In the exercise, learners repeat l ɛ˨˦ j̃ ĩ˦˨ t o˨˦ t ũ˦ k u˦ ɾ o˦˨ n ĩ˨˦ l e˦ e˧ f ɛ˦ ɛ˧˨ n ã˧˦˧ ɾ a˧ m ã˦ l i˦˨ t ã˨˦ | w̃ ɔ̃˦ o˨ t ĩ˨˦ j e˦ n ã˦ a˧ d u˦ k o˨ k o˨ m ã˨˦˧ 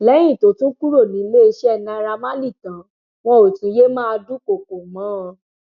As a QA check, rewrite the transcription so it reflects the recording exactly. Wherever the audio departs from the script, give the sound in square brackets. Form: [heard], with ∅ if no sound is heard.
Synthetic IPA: l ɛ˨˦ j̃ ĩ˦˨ t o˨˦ t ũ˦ k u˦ ɾ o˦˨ n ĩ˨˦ l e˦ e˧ [ʃ] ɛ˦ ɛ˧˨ n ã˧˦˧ ɾ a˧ m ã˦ l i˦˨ t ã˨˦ | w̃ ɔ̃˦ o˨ t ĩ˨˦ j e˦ [m] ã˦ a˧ d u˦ k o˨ k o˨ m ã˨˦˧